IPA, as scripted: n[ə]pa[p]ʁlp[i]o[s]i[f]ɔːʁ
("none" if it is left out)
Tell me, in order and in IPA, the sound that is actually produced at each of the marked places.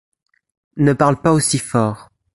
ə, none, a, s, f

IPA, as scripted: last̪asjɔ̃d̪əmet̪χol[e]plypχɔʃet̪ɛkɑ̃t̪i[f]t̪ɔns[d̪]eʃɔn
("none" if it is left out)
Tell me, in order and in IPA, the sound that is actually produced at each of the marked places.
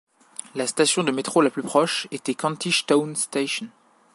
a, ʃ, t̪

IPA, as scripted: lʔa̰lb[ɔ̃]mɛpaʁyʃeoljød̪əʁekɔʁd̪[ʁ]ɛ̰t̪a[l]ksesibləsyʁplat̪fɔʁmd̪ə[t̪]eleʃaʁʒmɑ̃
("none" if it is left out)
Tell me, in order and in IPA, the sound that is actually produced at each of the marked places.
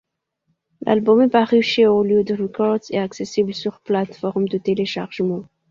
ɔ, z, none, t̪

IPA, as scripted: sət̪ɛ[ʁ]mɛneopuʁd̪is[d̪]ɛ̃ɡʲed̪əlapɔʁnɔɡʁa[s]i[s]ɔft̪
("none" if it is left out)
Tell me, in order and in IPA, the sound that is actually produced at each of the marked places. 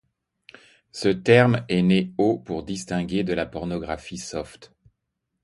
ʁ, t̪, f, s

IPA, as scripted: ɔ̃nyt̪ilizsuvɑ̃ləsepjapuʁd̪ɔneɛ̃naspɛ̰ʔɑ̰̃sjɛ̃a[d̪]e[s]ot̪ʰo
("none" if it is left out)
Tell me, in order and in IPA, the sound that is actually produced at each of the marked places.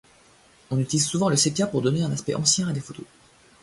d̪, f

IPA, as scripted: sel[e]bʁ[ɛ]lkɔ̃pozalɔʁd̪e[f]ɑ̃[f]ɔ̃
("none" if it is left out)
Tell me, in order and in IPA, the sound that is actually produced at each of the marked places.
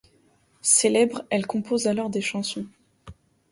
ɛ, ɛ, ʃ, s

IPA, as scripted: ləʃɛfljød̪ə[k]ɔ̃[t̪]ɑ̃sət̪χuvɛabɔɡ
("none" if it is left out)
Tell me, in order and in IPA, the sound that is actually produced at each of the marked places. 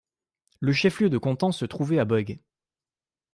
k, t̪

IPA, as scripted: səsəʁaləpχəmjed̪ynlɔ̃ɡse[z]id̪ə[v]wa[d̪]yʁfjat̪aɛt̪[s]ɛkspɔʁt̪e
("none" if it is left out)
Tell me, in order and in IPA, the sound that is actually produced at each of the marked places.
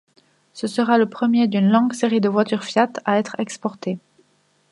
ʁ, v, t̪, χ

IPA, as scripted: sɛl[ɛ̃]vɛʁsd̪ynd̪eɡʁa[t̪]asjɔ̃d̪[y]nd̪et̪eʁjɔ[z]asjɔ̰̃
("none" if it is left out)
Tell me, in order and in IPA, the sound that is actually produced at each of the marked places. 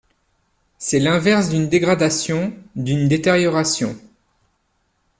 ɛ̃, d̪, y, ʁ

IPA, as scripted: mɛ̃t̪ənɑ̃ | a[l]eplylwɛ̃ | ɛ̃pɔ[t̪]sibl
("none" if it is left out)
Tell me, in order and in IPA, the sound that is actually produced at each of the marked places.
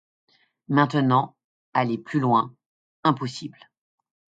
l, none

